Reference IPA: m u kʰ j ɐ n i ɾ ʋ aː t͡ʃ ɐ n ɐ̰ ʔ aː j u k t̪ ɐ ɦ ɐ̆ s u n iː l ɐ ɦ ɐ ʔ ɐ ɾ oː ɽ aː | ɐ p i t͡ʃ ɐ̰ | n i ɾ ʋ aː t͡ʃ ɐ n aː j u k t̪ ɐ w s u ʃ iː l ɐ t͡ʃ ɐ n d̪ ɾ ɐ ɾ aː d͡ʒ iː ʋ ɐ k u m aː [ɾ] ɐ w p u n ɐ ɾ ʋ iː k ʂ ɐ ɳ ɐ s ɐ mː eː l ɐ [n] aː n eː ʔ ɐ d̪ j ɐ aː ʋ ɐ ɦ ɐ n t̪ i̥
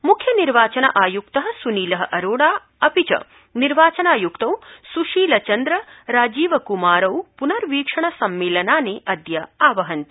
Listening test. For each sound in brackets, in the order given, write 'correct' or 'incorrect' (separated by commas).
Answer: correct, correct